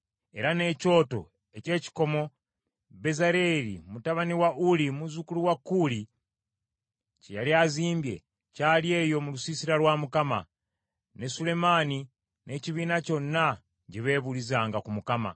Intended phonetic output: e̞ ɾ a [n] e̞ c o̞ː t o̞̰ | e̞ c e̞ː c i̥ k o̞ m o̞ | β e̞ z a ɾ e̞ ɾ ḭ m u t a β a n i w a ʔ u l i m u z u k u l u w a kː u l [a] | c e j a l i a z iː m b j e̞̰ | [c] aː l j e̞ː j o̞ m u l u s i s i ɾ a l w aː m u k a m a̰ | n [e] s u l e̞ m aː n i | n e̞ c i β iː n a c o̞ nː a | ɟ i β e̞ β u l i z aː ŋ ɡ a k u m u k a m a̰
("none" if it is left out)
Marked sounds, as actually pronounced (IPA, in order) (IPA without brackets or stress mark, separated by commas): n, i, c, e